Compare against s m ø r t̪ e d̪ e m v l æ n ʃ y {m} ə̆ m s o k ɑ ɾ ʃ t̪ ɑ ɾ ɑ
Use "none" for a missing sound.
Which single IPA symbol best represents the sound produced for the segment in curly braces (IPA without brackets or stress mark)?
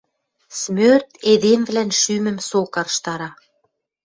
m